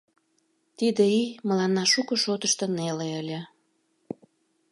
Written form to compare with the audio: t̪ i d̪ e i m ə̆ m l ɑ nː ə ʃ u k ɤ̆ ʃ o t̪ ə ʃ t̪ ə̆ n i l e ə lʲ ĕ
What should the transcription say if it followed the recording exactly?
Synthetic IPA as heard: t̪ i d̪ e i m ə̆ l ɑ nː ɑ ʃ u k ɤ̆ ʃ o t̪ ə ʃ t̪ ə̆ n e l e ə lʲ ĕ

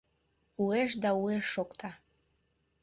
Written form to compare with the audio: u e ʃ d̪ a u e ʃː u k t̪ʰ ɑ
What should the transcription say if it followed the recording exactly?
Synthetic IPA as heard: u e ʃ d̪ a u e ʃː o k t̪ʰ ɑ

